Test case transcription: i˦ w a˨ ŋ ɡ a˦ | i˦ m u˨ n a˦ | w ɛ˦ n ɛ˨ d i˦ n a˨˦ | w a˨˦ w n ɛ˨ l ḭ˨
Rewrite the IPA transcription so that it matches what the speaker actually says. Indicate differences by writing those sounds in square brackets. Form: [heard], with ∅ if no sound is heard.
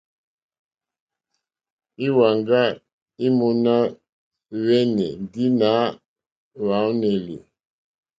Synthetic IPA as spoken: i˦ w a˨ ŋ ɡ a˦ | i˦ m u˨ n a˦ | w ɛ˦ n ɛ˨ d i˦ n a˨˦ | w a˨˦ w n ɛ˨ l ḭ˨

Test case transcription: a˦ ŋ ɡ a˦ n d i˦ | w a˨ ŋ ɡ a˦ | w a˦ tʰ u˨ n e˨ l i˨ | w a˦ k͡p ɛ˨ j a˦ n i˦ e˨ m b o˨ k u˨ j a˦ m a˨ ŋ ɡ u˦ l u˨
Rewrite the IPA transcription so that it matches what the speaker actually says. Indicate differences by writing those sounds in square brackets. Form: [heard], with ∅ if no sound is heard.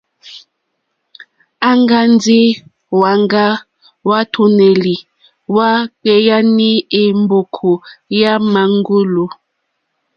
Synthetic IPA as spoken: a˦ ŋ ɡ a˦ n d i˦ | w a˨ ŋ ɡ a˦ | w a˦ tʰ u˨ n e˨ l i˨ | w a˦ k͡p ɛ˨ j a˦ n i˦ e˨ m b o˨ [kʰ] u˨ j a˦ m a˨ ŋ ɡ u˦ l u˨

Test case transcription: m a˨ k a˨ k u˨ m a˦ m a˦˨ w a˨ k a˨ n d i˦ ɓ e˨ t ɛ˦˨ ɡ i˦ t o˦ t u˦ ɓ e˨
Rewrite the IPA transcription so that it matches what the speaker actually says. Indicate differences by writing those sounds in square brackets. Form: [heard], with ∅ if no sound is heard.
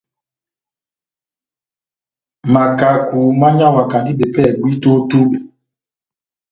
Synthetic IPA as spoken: m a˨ k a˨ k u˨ m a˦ [ɲ] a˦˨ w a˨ k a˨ n d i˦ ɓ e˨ [p] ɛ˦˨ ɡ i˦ t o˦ t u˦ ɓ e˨

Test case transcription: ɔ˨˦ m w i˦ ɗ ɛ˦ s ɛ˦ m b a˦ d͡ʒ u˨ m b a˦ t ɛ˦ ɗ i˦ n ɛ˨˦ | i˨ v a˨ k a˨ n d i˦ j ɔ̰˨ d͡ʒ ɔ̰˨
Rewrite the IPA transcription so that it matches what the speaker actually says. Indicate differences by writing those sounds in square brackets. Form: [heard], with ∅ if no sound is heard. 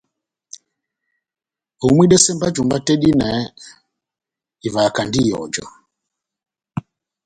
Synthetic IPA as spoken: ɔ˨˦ m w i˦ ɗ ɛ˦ s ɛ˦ m b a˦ d͡ʒ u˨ m b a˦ t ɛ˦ ɗ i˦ n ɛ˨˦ | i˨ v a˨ k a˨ n d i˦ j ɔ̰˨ d͡ʒ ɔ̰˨

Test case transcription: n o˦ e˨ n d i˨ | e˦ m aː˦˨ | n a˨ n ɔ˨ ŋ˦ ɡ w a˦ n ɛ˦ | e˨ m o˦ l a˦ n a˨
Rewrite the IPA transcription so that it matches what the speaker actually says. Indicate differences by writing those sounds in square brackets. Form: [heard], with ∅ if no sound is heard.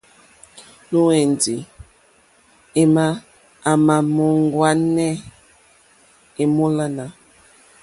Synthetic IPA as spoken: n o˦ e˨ n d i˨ | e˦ m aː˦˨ | [m] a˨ [m] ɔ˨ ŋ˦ ɡ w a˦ n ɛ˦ | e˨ m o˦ l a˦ n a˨

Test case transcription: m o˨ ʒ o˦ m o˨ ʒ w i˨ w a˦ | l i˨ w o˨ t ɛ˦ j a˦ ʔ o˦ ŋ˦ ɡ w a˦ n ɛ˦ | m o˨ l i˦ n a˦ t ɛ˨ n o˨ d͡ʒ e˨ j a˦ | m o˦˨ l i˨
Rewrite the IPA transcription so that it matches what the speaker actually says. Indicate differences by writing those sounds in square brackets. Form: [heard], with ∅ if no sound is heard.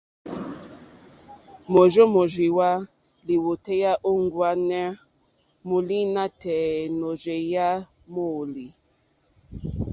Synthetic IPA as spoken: m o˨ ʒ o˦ m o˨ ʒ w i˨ w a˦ | l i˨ w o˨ t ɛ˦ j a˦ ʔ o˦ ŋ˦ ɡ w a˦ n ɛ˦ | m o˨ l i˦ n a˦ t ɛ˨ n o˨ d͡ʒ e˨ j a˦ | m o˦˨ l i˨

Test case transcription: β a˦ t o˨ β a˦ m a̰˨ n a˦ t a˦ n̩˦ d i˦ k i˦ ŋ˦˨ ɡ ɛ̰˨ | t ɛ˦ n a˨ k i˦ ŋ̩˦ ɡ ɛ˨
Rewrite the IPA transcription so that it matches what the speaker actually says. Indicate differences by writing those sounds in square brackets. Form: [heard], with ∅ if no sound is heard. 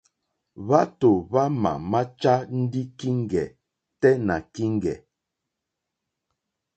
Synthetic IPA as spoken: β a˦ t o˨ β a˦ m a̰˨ [m] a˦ [t͡ʃ] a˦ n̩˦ d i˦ k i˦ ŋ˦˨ ɡ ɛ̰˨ | t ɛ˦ n a˨ k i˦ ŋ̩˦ ɡ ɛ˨

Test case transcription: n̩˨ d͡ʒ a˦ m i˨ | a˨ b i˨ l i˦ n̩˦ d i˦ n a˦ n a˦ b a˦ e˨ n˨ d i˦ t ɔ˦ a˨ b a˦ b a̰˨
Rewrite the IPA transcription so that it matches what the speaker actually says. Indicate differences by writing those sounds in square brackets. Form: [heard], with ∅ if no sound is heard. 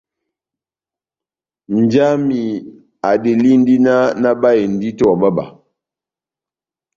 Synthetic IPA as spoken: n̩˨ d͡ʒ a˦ m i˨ | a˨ [d] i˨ l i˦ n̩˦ d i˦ n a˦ n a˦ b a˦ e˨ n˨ d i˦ t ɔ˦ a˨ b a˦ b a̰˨

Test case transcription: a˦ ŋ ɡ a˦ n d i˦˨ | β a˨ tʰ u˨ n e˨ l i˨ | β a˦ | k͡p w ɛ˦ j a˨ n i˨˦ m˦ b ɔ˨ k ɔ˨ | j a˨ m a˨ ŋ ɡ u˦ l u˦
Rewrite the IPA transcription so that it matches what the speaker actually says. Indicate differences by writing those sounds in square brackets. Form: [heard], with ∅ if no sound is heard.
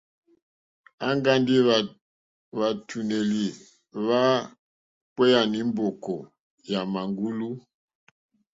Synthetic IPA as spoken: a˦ ŋ ɡ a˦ n d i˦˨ | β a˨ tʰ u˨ n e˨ l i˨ | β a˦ | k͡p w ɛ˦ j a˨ n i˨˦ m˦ b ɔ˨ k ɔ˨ | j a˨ m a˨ ŋ ɡ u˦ l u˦

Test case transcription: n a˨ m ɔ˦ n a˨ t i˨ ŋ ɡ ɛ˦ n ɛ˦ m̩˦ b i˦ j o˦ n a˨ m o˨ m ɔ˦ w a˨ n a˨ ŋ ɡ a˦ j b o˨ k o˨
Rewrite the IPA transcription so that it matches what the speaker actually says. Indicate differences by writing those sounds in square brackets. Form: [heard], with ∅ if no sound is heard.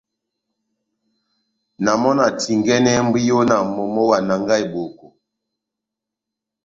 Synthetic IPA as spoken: n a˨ m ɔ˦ n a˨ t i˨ ŋ ɡ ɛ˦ n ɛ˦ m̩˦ b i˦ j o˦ n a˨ m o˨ m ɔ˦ w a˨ n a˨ ŋ ɡ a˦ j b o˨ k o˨

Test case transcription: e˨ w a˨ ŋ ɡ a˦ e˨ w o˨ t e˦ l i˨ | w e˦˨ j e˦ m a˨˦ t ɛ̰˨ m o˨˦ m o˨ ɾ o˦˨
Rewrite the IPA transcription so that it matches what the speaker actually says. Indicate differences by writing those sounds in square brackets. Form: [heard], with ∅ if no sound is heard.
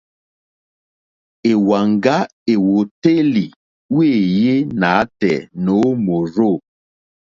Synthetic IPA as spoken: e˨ w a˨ ŋ ɡ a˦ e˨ w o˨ t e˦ l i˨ | w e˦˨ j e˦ [n] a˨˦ t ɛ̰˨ [n] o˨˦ m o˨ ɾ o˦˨

